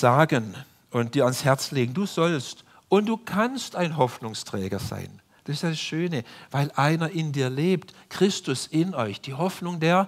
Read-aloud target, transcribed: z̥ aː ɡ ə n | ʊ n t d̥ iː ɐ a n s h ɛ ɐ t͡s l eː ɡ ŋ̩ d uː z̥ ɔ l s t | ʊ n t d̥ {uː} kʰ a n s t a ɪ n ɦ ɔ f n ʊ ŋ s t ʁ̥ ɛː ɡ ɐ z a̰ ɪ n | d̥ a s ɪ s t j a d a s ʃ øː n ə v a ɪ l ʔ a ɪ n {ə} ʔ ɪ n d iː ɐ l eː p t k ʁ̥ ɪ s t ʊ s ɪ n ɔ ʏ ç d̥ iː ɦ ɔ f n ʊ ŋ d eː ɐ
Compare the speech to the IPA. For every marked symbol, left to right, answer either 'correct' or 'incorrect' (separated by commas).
correct, incorrect